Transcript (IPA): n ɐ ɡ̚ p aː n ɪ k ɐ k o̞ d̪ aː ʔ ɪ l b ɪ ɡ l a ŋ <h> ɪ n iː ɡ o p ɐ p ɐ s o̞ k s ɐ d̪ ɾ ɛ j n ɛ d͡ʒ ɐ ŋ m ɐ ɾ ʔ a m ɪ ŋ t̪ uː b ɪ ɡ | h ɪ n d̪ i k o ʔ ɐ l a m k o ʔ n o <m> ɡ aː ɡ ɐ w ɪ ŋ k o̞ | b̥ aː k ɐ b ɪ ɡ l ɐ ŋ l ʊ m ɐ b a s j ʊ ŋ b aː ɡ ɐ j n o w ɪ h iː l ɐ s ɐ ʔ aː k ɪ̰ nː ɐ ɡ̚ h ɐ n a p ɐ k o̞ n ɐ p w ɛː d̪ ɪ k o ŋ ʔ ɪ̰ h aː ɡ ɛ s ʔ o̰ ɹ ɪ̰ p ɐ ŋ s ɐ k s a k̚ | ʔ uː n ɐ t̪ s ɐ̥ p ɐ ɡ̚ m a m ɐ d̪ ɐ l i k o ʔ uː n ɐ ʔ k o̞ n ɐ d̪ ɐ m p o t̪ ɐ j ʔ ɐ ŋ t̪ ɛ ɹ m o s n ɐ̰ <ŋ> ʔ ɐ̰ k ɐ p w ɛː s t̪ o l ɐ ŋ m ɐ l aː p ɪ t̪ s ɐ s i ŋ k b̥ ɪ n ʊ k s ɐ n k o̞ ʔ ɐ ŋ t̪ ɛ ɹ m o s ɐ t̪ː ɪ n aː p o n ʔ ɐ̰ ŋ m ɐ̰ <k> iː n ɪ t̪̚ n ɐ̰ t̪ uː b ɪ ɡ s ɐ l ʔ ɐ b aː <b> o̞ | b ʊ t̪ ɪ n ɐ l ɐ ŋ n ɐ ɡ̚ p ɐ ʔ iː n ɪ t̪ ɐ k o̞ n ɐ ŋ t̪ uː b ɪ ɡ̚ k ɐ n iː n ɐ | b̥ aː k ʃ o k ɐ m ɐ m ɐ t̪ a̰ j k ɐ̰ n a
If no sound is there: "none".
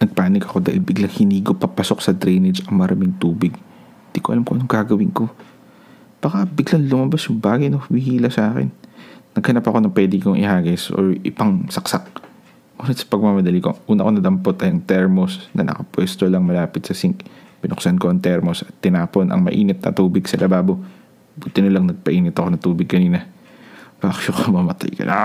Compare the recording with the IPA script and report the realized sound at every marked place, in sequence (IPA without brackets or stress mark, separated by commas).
h, ŋ, n, ʔ, b